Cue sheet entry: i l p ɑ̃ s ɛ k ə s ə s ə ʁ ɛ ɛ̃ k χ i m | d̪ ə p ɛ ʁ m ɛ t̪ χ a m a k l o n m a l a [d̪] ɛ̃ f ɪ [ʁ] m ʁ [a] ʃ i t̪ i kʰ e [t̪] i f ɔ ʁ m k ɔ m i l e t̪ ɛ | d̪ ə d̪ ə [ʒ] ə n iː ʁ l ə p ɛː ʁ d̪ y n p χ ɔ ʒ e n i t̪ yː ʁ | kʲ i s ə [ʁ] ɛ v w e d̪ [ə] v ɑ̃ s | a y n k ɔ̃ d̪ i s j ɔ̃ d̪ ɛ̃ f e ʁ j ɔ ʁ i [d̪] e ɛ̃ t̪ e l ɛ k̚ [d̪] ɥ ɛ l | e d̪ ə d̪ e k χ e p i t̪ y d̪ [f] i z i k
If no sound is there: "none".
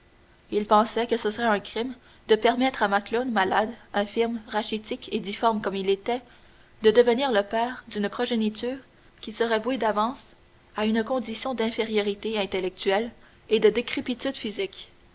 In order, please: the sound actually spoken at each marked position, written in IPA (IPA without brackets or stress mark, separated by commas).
d̪, ʁ, a, d̪, v, ʁ, a, t̪, t̪, f